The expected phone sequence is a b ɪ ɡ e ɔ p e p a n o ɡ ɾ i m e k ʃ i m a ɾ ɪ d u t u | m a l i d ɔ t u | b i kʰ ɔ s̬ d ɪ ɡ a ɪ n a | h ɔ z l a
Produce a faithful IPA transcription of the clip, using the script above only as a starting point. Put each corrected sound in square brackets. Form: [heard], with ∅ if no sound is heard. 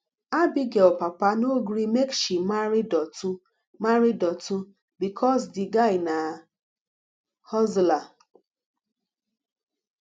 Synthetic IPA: a b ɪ ɡ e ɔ p [a] p a n o ɡ ɾ i m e k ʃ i m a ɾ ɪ d [ɔ] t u | m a [ɾ] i d ɔ t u | b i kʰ ɔ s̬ d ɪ ɡ a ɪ n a | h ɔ z l a